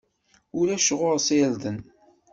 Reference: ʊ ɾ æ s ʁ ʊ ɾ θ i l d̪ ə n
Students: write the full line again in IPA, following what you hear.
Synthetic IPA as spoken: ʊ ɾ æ ʃ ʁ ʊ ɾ s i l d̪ ə n

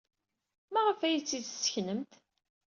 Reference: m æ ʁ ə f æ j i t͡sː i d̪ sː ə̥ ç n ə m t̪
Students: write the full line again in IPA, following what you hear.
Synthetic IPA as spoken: m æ ʁ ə f æ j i t͡sː i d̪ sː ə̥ ç n ə m t̪

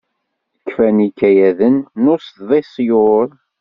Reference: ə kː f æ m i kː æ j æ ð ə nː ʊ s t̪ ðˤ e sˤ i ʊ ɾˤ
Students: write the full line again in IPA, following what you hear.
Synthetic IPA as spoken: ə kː f æ n i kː æ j æ ð ə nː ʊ s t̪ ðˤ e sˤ j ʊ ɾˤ

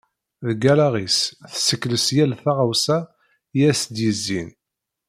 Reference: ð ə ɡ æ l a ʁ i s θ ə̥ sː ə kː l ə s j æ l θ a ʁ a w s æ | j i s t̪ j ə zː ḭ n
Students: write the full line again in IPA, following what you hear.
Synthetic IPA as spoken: ð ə ɡ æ l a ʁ i s θ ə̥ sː ə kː l ə s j æ l θ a ʁ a w s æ | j æ s d̪ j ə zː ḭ n

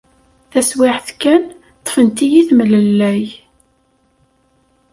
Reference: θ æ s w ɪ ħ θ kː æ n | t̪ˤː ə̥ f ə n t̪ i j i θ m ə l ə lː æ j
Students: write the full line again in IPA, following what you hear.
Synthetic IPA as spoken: θ æ s w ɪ ħ θ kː æ n | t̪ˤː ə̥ f ə n t̪ i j i θ m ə l ə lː æ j

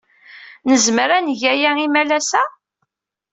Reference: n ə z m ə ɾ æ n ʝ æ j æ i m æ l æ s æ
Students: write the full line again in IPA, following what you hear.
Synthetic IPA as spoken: n ə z m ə ɾ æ n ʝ æ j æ i m æ l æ s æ

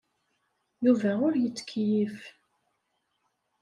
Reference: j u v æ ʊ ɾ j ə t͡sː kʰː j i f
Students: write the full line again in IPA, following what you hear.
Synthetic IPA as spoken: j u v æ ʊ ɾ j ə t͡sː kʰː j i f

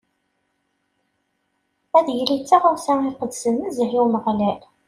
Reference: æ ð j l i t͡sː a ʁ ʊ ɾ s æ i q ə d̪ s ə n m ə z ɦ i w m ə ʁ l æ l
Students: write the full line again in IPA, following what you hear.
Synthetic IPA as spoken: æ ð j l i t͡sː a ʁ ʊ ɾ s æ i q ə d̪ s ə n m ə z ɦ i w m ə ʁ l æ l

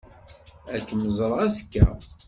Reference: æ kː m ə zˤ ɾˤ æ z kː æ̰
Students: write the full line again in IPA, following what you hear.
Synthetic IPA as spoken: æ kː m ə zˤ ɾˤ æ s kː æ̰

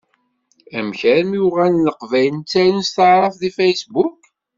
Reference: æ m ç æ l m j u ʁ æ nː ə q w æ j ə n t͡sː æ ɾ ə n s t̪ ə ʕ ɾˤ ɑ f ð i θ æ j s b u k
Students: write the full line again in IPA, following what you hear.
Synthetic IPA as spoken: æ m ç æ ɾ m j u ʁ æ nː ə q v æ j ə n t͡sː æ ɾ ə n s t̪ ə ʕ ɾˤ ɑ f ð i f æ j s b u k

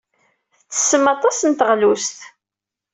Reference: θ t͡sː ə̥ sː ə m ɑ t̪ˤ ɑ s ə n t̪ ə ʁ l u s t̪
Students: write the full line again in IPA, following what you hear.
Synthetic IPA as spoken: θ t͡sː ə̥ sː ə m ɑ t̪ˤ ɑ s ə n t̪ ə ʁ l u s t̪

